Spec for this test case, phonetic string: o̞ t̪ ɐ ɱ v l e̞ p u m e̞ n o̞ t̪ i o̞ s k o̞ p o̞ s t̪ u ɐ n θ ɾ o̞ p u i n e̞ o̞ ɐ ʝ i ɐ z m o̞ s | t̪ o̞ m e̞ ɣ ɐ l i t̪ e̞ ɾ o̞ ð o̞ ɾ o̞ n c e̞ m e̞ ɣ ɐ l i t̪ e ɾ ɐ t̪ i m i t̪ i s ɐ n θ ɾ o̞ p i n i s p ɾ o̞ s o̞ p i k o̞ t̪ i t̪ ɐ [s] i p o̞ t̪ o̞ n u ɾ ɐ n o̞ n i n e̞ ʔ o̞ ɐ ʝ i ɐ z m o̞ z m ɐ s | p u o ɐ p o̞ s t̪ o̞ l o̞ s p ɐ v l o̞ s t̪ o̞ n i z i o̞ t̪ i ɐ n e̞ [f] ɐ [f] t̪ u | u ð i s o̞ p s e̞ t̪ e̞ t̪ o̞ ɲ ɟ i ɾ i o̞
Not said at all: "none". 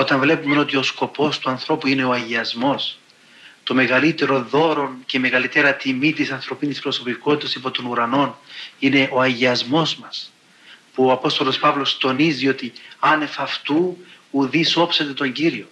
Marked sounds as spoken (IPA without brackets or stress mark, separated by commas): s, f, f